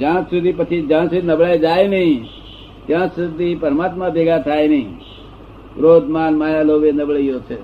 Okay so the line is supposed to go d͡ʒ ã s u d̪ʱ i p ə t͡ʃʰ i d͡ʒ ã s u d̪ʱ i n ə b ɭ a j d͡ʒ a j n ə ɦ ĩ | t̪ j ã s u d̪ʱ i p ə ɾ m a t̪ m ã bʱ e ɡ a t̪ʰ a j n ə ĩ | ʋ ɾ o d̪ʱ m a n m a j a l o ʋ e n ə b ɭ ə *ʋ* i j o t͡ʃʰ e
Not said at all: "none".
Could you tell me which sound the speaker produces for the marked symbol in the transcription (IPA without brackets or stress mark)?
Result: none